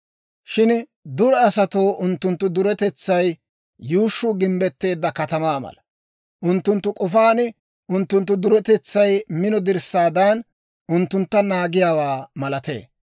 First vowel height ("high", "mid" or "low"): high